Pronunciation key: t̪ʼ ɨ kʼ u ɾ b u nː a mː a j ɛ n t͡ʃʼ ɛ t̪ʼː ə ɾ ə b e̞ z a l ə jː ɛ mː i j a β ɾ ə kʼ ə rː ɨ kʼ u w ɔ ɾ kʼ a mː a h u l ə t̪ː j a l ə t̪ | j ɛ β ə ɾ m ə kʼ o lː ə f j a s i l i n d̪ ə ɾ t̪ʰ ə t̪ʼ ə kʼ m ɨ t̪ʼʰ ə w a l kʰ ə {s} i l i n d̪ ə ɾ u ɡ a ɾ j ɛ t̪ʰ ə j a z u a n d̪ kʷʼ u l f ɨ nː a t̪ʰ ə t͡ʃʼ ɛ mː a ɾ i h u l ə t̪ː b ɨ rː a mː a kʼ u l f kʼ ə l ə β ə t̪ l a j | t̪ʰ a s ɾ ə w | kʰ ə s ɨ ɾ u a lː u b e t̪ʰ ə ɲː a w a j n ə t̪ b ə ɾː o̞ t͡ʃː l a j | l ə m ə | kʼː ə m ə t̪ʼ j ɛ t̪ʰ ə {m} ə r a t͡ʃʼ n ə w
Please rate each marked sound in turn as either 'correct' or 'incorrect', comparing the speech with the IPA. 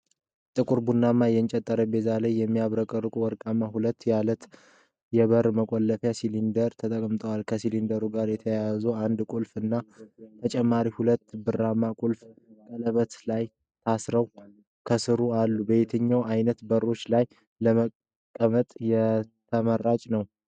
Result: correct, correct

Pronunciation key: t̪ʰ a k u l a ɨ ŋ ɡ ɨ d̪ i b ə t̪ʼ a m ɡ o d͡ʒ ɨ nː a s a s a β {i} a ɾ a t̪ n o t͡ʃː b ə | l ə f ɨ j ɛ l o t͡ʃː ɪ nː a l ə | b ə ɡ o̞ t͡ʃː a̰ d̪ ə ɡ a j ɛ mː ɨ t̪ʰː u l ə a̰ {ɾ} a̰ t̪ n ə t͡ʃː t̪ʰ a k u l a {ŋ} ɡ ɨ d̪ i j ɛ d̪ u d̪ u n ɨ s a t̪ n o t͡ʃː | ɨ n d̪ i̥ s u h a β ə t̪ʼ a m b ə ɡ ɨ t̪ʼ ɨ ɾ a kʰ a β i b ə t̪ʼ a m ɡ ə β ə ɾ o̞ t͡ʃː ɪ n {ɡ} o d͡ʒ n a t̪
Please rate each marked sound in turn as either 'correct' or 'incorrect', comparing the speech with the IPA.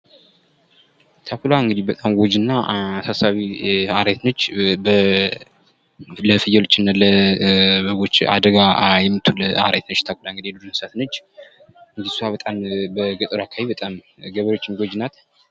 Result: correct, correct, correct, correct

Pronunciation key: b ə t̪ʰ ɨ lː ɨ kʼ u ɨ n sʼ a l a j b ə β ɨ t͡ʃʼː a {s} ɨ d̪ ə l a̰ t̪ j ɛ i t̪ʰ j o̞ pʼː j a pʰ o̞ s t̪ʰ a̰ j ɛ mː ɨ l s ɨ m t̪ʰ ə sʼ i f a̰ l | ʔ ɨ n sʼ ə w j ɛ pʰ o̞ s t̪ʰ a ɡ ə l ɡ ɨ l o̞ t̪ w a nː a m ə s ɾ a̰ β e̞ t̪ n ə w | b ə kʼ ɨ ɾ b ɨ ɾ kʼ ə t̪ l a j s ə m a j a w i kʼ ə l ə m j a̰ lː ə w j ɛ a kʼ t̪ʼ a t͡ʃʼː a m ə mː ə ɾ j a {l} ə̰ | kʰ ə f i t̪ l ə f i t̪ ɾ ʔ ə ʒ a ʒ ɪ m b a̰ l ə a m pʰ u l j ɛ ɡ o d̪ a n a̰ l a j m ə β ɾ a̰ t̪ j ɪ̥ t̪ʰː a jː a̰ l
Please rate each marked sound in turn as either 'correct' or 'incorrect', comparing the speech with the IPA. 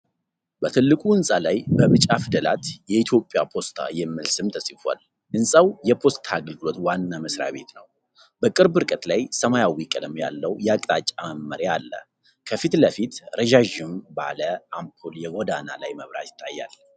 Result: incorrect: f, incorrect: lː

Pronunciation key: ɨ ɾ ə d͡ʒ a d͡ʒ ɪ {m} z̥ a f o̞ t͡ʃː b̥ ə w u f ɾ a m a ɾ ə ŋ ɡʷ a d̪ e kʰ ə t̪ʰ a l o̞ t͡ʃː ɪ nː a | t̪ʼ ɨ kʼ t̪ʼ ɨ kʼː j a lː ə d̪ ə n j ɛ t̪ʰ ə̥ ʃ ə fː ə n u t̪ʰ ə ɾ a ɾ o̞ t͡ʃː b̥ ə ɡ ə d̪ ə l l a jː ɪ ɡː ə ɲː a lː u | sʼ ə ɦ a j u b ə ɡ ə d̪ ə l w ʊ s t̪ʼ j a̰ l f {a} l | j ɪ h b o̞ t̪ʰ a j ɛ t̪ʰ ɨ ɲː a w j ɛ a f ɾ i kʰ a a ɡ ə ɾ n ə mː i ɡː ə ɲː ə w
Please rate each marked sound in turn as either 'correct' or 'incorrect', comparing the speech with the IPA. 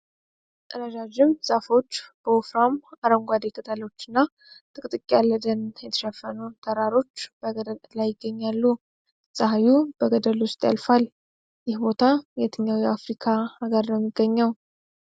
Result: correct, correct

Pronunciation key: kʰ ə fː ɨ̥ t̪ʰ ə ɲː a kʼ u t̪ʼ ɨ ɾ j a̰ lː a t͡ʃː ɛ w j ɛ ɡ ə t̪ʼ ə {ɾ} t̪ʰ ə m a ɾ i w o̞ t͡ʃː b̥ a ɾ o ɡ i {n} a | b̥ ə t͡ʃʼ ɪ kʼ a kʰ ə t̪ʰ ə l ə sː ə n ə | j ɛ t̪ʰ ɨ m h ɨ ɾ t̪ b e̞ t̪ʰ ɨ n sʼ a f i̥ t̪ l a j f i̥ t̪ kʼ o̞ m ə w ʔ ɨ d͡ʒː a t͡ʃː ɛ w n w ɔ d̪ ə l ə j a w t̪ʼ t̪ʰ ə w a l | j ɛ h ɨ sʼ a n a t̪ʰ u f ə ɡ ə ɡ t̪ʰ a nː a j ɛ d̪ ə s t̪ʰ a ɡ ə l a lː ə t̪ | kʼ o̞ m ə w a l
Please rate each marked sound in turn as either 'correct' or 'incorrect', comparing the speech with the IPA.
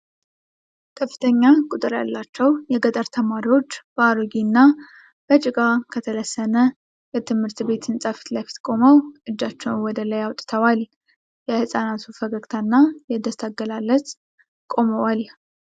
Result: correct, incorrect: nː

